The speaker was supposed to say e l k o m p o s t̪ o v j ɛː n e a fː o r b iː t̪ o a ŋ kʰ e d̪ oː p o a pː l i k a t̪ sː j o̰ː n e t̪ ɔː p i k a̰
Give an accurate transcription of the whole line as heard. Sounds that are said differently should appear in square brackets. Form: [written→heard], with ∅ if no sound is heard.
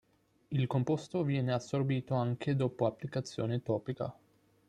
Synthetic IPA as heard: [e→i] l k o m p o s t̪ o v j ɛː n e a [fː→sː] o r b iː t̪ o a ŋ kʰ e d̪ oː p o a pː l i k a t̪ sː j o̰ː n e t̪ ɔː p i k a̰